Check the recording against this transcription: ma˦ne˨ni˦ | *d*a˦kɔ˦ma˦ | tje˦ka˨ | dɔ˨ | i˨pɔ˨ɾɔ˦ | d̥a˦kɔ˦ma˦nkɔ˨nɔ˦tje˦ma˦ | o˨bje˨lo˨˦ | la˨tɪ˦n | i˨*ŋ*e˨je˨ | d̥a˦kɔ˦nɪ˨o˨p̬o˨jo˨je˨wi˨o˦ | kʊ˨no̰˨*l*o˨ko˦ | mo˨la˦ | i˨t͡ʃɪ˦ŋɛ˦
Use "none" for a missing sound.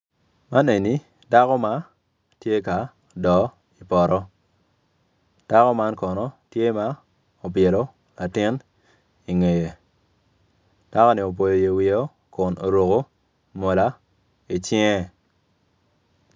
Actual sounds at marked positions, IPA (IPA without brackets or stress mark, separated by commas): d, ŋ, ɾ